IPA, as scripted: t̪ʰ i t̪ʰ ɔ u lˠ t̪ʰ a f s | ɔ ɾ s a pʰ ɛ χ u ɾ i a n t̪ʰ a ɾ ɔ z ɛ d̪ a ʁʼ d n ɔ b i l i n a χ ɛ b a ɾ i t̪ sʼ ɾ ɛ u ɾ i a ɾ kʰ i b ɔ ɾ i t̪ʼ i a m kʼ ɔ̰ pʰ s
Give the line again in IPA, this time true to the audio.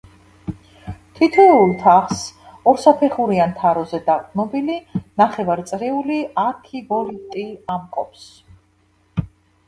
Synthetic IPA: t̪ʰ i t̪ʰ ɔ u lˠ t̪ʰ a χ s | ɔ ɾ s a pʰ ɛ χ u ɾ i a n t̪ʰ a ɾ ɔ z ɛ d̪ a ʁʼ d n ɔ b i l i n a χ ɛ v a ɾ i t̪ sʼ ɾ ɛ u l i a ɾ kʰ i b ɔ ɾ i t̪ʼ i a m kʼ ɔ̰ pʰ s